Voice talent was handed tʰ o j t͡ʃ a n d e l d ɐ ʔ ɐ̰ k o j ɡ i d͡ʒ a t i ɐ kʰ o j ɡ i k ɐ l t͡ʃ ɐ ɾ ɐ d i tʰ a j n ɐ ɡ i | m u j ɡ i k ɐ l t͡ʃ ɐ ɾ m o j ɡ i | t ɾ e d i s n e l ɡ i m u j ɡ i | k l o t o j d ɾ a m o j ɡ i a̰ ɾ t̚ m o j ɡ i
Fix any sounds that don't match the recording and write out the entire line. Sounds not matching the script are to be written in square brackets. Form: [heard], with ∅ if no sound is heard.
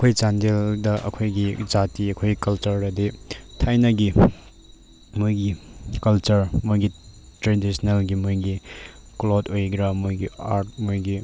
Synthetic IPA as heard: [kʰ] o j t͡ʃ a n d e l d ɐ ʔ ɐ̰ [kʰ] o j ɡ i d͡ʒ a t i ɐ kʰ o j ɡ i k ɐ l t͡ʃ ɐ ɾ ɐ d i tʰ a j n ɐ ɡ i | m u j ɡ i k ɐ l t͡ʃ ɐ ɾ m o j ɡ i | t ɾ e d i s n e l ɡ i m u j ɡ i | k l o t o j [ɡ] ɾ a m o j ɡ i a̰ ɾ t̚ m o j ɡ i

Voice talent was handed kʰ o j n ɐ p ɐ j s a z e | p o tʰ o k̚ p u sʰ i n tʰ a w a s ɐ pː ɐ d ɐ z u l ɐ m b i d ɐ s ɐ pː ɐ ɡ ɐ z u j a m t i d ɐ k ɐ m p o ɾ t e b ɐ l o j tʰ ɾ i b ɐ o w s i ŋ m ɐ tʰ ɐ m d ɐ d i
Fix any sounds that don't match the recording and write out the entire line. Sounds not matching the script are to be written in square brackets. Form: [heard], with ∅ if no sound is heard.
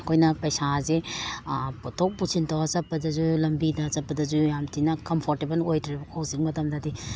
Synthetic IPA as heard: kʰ o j n ɐ p ɐ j s a z e | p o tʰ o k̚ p u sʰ i n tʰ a w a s ɐ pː ɐ d ɐ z u l ɐ m b i d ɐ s ɐ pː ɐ [d] ɐ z u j a m t i [n] ɐ k ɐ m [pʰ] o ɾ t e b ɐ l o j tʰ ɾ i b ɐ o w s i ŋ m ɐ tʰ ɐ m d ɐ d i

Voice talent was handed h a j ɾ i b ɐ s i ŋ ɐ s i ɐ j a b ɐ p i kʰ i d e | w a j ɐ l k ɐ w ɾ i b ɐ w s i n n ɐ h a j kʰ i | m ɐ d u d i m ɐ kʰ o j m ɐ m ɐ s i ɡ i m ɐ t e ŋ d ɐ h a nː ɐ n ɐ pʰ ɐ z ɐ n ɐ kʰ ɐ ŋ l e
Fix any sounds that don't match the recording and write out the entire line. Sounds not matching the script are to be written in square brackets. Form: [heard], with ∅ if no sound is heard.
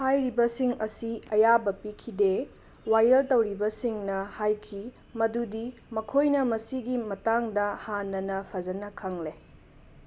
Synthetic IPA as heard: h a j ɾ i b ɐ s i ŋ ɐ s i ɐ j a b ɐ p i kʰ i d e | w a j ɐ l [t] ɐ w ɾ i b ɐ [∅] s i [ŋ] n ɐ h a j kʰ i | m ɐ d u d i m ɐ kʰ o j [n] ɐ m ɐ s i ɡ i m ɐ t [a] ŋ d ɐ h a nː ɐ n ɐ pʰ ɐ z ɐ n ɐ kʰ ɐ ŋ l e

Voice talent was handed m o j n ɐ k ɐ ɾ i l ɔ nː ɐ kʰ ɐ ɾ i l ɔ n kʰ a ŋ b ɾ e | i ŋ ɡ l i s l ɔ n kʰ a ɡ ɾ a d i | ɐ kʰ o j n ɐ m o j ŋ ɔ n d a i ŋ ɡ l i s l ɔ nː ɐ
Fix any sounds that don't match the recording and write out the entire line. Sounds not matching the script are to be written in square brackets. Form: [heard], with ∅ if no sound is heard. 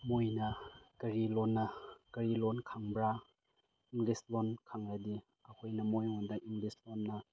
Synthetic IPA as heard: m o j n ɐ k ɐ ɾ i l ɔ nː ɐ [k] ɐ ɾ i l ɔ n kʰ a ŋ b ɾ [a] | i ŋ ɡ l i s l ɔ n kʰ a [ŋ] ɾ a d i | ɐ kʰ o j n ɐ m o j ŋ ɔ n d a i ŋ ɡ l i s l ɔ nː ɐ

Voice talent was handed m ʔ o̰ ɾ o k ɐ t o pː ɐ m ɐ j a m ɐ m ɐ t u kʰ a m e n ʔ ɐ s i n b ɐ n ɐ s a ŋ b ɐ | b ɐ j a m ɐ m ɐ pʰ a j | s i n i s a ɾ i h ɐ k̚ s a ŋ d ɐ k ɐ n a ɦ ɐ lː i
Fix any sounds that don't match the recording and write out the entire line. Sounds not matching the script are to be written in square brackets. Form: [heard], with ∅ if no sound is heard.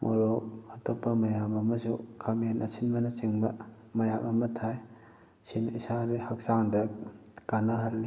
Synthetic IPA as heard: m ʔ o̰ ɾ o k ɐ t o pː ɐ m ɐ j a m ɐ m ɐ [s] u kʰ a m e n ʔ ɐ s i n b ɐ n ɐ s [i] ŋ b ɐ | [m] ɐ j a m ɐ m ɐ [tʰ] a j | s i n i s a ɾ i h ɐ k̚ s a ŋ d ɐ k [a] n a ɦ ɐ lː i

